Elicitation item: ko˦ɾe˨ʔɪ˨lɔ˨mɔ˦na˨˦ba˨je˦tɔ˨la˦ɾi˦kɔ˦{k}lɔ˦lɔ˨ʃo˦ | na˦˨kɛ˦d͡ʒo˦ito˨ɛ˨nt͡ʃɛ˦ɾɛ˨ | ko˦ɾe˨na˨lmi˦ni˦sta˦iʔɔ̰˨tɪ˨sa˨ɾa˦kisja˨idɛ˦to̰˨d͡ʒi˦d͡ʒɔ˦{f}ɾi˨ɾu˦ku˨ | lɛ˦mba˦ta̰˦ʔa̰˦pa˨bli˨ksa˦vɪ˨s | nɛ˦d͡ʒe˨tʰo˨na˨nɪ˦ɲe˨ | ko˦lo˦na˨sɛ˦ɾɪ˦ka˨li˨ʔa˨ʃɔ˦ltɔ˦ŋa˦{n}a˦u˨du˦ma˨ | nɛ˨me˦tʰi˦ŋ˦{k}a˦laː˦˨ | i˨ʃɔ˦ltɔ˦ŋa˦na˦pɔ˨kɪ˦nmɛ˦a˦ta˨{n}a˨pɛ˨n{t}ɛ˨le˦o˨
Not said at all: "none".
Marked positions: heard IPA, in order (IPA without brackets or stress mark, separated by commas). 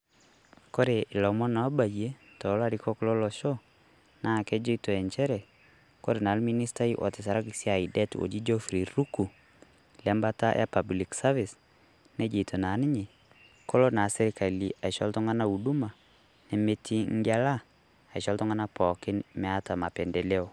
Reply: k, f, n, ɡ, m, d